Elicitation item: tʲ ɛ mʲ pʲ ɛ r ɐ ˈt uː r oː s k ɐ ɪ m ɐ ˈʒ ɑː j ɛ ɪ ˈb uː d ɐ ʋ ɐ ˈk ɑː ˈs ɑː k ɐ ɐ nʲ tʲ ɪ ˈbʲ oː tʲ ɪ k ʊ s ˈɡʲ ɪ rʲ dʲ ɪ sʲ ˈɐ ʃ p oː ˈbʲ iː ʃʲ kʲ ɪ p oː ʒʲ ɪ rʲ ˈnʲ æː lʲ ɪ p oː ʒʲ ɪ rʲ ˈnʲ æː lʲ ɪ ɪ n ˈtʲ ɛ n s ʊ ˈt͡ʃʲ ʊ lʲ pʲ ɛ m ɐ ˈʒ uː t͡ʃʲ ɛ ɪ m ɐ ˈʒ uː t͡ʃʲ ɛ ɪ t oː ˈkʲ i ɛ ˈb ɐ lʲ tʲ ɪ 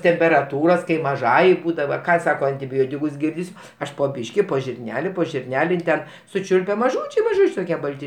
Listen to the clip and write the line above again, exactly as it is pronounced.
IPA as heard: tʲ ɛ mʲ pʲ ɛ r ɐ ˈt uː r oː s k ɐ ɪ m ɐ ˈʒ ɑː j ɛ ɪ ˈb uː d ɐ ʋ ɐ ˈk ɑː ˈs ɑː k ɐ ɐ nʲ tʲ ɪ ˈbʲ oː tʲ ɪ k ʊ s ˈɡʲ ɪ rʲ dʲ ɪ sʲ ˈɐ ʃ p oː ˈbʲ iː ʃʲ kʲ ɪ p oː ʒʲ ɪ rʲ ˈnʲ æː lʲ ɪ p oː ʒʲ ɪ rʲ ˈnʲ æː lʲ ɪ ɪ n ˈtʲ ɛ n s ʊ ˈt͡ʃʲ ʊ lʲ pʲ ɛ m ɐ ˈʒ uː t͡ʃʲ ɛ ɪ m ɐ ˈʒ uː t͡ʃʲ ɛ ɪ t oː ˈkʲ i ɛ ˈb ɐ lʲ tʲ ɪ